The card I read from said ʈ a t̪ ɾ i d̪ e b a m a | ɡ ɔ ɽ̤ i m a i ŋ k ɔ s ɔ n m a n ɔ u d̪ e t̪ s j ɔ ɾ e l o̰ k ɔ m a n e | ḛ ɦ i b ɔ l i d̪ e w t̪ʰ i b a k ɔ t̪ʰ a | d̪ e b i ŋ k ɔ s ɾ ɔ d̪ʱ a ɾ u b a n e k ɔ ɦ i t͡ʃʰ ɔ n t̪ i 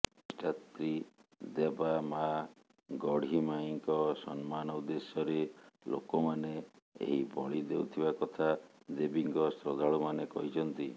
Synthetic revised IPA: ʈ a t̪ ɾ i d̪ e b a m a | ɡ ɔ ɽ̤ i m a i ŋ k ɔ s ɔ n m a n ɔ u d̪ e s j ɔ ɾ e l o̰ k ɔ m a n e | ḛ ɦ i b ɔ ɭ i d̪ e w t̪ʰ i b a k ɔ t̪ʰ a | d̪ e b i ŋ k ɔ s ɾ ɔ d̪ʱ a ɭ u m a n e k ɔ ɦ i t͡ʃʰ ɔ n t̪ i